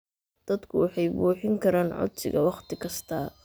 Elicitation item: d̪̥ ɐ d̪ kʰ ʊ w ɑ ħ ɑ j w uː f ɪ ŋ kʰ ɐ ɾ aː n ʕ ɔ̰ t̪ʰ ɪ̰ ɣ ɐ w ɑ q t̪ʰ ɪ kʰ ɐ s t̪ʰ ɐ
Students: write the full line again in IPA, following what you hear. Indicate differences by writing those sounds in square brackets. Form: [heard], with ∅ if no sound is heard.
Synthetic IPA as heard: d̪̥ ɐ d̪ kʰ ʊ w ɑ ħ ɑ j [b] uː [ħ] ɪ ŋ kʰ ɐ ɾ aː n ʕ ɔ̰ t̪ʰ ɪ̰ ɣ ɐ w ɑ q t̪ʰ ɪ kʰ ɐ s t̪ʰ ɐ